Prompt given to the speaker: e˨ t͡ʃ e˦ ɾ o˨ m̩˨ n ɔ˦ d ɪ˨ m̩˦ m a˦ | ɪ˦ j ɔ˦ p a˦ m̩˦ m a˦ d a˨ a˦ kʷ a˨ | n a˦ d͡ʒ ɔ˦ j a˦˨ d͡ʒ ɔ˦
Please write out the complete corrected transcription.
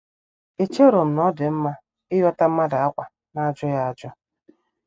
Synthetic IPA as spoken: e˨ t͡ʃ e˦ ɾ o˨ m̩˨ n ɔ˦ d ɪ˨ m̩˦ m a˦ | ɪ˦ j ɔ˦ t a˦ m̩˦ m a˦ d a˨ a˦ kʷ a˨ | n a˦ d͡ʒ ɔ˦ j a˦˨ d͡ʒ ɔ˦